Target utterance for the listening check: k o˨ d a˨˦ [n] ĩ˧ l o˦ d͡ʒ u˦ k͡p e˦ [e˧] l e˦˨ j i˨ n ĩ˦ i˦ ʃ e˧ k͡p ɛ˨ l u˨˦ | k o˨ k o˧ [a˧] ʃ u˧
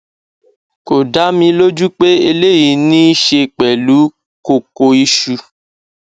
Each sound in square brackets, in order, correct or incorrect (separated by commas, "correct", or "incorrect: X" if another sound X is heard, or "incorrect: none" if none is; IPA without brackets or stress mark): incorrect: m, correct, incorrect: i˧